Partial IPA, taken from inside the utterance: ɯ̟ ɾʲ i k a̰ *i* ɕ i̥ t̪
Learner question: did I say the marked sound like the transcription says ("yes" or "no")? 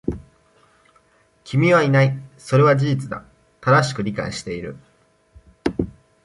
yes